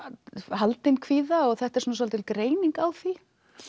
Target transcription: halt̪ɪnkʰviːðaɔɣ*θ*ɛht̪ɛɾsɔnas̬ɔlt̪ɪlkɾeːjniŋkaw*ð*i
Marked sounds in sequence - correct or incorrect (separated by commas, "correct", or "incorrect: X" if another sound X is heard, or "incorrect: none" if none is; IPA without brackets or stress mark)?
correct, incorrect: θ